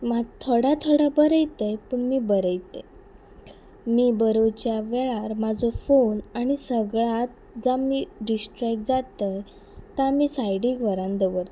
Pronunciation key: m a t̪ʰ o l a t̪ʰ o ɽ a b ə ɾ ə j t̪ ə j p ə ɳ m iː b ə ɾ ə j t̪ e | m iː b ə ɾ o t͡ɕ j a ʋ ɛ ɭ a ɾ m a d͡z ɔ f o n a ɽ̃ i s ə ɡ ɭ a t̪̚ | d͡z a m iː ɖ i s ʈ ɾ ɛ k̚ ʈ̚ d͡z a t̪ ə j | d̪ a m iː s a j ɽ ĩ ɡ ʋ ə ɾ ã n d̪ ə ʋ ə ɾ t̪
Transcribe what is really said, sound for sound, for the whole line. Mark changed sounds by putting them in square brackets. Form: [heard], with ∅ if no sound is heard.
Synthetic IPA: m a t̪ʰ o [ɽ] a t̪ʰ o ɽ a b ə ɾ ə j t̪ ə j p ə ɳ m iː b ə ɾ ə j t̪ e | m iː b ə ɾ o t͡ɕ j a ʋ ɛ ɭ a ɾ m a d͡z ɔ f o n a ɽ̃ i s ə ɡ ɭ a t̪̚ | d͡z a m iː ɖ i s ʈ ɾ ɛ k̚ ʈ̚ d͡z a t̪ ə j | [t̪] a m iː s a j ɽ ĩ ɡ ʋ ə ɾ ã n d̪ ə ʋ ə ɾ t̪